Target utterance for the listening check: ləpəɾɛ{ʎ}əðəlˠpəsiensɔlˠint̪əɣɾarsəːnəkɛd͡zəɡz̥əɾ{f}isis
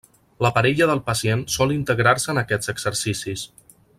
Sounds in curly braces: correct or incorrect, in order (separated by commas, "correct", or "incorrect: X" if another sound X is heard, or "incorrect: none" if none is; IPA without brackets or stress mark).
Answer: correct, incorrect: s